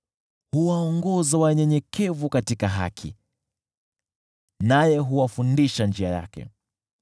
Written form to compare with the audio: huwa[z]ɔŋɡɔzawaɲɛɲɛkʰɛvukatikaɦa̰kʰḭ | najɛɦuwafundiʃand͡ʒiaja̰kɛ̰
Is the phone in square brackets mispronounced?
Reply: yes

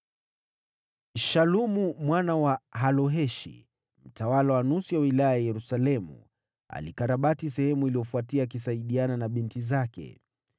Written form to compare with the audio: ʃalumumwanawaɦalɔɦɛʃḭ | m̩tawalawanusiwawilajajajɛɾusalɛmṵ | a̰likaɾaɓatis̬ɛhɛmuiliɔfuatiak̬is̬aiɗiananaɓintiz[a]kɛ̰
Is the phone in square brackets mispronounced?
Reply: no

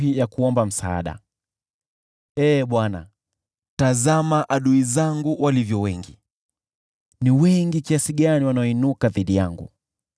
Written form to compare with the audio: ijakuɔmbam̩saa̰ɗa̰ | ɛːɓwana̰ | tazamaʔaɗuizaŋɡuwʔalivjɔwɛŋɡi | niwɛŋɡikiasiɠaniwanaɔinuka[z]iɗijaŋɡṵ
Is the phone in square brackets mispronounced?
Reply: yes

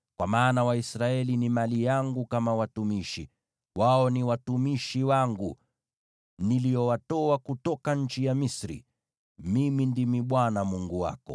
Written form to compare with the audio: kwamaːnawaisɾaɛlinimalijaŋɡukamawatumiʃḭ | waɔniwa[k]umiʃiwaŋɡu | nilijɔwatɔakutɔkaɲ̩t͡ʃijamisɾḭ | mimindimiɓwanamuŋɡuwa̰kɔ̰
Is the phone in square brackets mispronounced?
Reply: yes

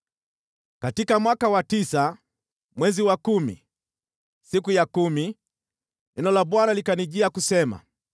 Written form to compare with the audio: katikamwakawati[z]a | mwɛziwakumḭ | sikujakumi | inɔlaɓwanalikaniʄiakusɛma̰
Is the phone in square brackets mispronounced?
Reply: yes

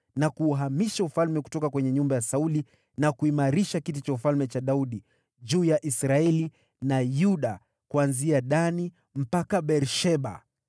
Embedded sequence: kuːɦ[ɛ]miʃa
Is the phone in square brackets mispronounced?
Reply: yes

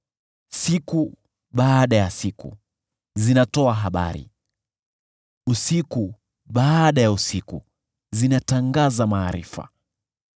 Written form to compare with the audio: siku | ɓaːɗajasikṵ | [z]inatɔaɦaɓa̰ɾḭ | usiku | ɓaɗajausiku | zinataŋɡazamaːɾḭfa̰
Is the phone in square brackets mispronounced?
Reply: no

